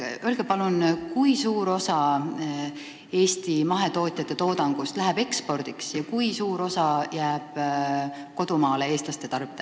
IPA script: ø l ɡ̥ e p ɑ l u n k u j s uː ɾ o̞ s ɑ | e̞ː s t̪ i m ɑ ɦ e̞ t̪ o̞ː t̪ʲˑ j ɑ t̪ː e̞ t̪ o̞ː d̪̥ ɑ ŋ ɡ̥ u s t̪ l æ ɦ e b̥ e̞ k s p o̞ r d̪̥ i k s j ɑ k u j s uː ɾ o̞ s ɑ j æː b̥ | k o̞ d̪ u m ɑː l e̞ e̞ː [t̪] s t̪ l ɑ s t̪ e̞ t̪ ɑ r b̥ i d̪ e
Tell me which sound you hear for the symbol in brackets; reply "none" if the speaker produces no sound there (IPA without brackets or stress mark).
none